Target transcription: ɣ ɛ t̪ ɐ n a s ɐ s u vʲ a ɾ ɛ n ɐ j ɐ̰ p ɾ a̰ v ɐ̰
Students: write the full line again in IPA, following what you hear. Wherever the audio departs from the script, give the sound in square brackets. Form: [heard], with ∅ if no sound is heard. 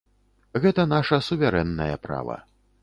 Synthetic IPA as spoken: ɣ ɛ t̪ ɐ n a [ʂ] ɐ s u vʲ a ɾ ɛ [nː] ɐ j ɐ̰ p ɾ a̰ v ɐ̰